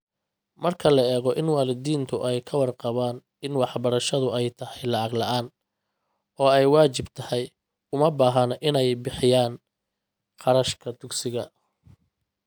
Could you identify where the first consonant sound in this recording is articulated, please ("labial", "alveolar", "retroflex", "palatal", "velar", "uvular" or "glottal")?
labial